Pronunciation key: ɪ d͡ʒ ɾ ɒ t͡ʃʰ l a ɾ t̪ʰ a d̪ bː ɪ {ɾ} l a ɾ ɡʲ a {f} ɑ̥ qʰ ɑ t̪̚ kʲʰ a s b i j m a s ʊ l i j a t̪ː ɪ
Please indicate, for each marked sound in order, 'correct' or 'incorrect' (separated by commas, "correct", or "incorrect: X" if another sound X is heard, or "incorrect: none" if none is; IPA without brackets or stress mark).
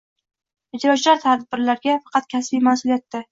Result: correct, correct